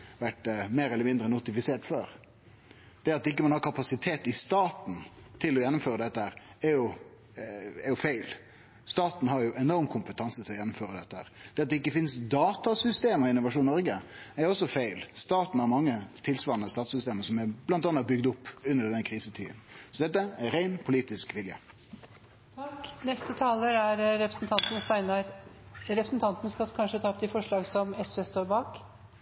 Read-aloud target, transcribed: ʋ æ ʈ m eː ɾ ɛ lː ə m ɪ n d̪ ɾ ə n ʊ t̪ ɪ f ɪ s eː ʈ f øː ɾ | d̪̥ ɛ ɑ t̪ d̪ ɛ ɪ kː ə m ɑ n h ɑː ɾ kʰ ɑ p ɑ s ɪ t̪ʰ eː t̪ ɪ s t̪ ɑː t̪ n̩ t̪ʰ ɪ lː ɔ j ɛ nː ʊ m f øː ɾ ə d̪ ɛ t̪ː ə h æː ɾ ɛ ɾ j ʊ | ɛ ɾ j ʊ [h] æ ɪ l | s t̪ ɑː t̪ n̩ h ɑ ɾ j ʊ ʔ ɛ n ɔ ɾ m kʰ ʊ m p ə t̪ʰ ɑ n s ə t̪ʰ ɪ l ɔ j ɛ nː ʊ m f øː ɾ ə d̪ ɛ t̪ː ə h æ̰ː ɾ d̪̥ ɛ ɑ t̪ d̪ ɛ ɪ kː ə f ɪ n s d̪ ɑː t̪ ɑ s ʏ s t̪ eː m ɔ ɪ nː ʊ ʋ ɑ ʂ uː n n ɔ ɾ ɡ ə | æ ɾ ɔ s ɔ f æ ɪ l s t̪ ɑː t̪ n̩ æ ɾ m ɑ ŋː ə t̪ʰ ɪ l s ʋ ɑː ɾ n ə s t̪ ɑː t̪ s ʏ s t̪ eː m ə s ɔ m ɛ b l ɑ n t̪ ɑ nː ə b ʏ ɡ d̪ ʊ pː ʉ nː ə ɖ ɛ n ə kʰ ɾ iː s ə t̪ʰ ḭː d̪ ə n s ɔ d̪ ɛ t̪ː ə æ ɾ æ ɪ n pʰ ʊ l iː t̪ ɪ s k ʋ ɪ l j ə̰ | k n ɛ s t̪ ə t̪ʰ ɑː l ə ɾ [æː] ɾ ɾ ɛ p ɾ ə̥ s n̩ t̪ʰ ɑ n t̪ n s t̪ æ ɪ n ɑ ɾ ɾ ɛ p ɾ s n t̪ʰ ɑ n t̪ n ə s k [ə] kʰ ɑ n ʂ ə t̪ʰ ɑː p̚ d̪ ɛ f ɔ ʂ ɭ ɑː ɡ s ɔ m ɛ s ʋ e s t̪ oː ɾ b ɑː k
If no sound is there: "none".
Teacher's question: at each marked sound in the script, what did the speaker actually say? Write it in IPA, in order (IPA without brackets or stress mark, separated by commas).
f, æ, ɑ